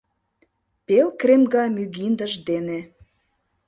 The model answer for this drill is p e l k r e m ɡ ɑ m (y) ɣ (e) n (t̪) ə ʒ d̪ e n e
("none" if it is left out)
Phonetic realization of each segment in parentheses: y, i, d̪

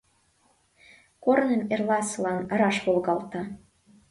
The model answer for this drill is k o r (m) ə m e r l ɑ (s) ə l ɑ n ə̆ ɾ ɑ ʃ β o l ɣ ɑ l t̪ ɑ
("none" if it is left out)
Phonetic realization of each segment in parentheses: n, s

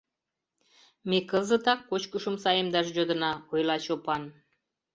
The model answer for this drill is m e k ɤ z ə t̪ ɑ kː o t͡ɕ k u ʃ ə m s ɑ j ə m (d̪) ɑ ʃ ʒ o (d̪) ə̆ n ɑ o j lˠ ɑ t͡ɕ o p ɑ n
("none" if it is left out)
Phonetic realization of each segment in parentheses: d̪, d̪

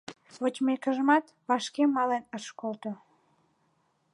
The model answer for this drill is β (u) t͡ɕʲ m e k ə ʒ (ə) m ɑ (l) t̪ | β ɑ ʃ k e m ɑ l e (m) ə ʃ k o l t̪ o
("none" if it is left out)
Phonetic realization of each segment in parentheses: o, ə, none, n

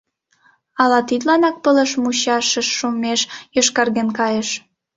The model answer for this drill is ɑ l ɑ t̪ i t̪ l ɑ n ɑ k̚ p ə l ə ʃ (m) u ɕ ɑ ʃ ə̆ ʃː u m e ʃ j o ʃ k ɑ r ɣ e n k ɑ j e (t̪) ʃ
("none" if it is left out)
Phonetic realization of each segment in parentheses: m, none

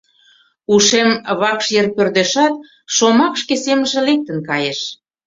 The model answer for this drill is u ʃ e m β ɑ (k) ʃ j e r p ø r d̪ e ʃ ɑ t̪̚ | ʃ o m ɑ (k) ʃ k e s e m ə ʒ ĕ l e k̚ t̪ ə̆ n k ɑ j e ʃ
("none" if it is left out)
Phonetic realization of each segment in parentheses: k, k

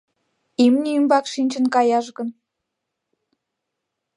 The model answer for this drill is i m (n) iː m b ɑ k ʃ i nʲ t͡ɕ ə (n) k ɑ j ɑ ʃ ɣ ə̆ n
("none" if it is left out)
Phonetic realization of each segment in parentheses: n, n

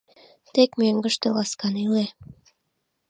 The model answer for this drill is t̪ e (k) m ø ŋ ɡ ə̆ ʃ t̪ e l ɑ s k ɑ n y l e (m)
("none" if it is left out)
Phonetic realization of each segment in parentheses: k, none

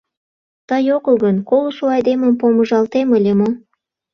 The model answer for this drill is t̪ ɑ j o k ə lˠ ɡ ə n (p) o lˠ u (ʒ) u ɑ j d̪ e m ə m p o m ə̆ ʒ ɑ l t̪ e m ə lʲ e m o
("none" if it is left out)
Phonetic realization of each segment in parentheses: k, ʃ

